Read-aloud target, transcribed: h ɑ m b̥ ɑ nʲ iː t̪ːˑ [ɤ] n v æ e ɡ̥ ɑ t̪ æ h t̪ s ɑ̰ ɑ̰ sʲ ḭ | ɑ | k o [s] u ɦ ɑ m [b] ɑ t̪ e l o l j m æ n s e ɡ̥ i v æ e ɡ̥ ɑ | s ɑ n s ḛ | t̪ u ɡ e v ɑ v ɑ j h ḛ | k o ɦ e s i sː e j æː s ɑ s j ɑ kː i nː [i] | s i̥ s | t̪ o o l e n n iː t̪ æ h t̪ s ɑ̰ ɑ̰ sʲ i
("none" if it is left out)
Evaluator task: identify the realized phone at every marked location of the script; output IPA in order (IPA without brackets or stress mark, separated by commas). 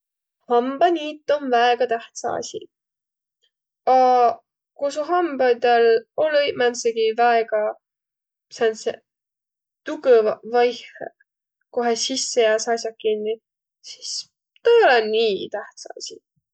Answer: o, s, b, i